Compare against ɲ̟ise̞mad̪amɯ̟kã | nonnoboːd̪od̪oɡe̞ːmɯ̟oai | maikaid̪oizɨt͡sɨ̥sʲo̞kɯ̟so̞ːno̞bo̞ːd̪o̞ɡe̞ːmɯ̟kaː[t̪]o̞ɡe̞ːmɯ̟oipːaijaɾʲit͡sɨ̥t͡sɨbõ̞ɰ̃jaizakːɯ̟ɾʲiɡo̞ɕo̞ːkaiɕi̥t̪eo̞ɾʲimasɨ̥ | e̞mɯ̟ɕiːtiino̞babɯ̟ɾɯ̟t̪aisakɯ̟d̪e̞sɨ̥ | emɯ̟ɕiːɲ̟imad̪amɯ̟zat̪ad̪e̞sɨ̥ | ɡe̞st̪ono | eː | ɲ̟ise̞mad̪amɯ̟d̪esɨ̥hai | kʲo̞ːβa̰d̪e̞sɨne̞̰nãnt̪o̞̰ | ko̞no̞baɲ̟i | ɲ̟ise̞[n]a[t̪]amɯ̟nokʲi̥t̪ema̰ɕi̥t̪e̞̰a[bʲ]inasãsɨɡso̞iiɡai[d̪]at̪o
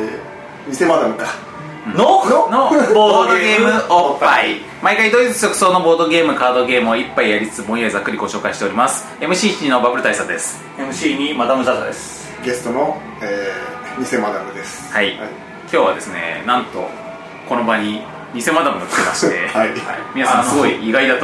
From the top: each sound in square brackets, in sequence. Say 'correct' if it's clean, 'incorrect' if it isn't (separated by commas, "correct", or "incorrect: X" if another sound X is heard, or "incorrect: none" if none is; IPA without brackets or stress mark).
incorrect: d̪, incorrect: m, incorrect: d̪, incorrect: mʲ, correct